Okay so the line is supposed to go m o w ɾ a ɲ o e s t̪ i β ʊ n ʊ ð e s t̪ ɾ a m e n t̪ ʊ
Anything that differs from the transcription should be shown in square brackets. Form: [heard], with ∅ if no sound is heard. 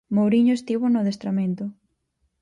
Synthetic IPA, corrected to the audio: m o w ɾ [i] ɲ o e s t̪ i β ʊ n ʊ ð e s t̪ ɾ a m e n t̪ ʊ